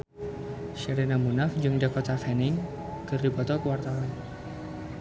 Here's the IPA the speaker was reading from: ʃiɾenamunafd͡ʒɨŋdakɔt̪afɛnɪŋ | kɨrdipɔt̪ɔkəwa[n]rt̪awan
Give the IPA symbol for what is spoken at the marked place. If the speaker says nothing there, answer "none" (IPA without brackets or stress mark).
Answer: none